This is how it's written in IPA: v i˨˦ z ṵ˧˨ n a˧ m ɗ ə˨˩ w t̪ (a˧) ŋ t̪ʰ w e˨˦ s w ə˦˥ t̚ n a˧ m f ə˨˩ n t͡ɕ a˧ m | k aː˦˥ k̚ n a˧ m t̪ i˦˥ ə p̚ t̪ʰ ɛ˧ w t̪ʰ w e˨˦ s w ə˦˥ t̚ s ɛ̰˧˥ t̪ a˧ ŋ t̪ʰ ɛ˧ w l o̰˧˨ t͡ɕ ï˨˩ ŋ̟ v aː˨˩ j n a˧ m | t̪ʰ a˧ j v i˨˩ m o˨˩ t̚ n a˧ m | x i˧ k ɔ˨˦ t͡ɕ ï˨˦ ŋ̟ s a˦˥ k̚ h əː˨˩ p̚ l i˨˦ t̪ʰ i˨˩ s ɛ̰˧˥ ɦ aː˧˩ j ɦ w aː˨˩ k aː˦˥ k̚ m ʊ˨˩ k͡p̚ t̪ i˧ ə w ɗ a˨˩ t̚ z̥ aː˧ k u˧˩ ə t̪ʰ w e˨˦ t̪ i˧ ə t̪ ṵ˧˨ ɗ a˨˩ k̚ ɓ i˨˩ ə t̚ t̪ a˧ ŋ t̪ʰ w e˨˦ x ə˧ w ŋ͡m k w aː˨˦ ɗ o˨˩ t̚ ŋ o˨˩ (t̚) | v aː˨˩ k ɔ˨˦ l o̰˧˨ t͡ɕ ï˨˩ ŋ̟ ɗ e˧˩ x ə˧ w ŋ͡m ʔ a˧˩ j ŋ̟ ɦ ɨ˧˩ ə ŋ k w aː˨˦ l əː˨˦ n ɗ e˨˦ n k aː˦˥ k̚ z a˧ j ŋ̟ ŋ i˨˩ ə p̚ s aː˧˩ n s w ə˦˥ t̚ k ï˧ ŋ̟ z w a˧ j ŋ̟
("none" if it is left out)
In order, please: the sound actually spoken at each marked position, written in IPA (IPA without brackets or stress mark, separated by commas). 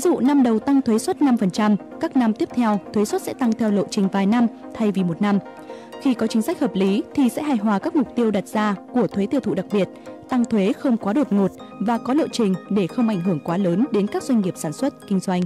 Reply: a˧, t̚